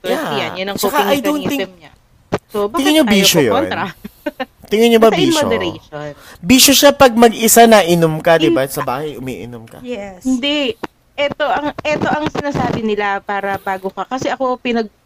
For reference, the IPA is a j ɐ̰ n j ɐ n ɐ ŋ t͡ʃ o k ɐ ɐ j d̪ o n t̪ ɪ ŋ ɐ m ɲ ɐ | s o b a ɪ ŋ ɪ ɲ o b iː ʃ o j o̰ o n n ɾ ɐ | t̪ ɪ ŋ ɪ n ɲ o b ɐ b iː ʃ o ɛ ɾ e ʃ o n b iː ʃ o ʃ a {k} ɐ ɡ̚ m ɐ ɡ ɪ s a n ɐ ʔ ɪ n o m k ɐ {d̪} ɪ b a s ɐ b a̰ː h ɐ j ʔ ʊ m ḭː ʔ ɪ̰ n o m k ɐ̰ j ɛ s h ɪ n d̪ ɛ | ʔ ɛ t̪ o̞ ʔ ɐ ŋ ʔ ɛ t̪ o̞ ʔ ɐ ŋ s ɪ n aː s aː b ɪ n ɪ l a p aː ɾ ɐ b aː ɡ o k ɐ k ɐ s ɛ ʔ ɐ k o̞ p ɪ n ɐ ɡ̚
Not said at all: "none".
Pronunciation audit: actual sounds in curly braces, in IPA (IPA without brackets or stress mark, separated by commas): p, d̪